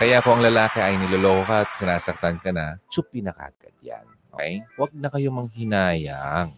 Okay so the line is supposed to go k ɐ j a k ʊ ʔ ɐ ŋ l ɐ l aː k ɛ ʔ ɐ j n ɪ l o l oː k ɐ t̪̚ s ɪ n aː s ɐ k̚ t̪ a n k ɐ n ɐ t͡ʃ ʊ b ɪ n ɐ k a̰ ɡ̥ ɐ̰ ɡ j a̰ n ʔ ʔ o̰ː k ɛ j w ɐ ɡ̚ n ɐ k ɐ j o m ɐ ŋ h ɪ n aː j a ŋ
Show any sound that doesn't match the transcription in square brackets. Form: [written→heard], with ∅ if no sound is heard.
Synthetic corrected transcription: k ɐ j a k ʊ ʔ ɐ ŋ l ɐ l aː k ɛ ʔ ɐ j n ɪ l o l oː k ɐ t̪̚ s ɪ n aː s ɐ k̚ t̪ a n k ɐ n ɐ t͡ʃ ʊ [b→p] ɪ n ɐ k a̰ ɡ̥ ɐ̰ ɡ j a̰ n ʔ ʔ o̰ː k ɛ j w ɐ ɡ̚ n ɐ k ɐ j o m ɐ ŋ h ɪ n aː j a ŋ